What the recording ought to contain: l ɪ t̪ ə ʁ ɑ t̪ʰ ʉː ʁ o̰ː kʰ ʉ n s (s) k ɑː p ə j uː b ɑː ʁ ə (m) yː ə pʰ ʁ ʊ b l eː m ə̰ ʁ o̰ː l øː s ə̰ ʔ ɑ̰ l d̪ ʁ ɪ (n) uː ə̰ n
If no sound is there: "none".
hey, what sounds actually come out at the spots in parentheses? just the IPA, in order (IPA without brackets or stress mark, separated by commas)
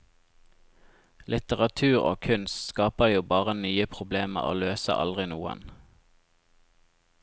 s, n, n